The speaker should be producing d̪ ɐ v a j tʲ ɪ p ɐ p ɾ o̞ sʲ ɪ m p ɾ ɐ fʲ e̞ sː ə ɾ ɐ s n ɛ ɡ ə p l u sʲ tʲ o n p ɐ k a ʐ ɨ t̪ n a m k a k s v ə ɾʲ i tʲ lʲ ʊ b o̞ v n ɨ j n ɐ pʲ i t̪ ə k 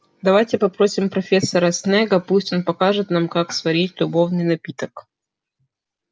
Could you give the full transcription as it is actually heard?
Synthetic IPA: d̪ ɐ v a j tʲ ɪ p ɐ p ɾ o̞ sʲ ɪ m p ɾ ɐ fʲ e̞ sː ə ɾ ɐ s n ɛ ɡ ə p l u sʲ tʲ o n p ɐ k a ʐ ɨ t̪ n a m k a k s v ɐ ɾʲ i tʲ lʲ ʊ b o̞ v n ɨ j n ɐ pʲ i t̪ ə k